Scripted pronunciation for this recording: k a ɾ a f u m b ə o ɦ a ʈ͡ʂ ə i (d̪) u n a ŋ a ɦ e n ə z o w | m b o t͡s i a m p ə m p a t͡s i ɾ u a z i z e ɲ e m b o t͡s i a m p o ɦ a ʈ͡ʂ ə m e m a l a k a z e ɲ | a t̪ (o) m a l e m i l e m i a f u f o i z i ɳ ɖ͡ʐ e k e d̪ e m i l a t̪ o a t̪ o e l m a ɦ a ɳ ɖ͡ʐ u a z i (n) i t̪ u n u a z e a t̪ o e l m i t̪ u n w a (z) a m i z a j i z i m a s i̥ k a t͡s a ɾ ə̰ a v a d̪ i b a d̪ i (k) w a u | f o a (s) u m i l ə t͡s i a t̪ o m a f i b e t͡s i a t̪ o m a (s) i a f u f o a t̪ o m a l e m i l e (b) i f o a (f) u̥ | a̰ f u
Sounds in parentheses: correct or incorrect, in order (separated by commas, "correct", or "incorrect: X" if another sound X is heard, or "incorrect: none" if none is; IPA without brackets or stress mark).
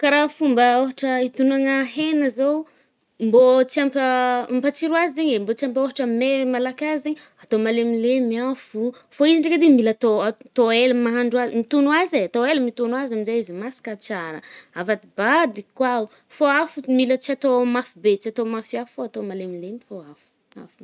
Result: incorrect: t̪, correct, incorrect: m, correct, correct, incorrect: f, incorrect: f, incorrect: m, correct